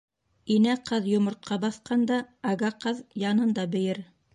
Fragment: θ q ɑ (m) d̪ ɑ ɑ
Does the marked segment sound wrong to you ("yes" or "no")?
yes